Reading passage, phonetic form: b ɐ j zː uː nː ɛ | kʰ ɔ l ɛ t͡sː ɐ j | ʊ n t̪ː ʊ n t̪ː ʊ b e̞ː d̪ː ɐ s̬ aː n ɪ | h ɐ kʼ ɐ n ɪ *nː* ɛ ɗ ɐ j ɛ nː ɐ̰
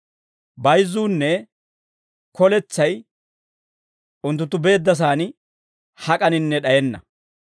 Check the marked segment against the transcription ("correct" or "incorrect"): correct